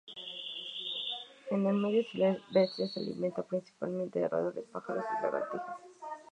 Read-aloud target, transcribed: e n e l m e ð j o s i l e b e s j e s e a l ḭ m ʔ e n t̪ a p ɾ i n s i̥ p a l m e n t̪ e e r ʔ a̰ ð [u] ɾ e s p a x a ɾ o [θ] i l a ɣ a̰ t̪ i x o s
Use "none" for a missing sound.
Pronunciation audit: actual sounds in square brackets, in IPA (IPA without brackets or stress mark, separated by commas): o, s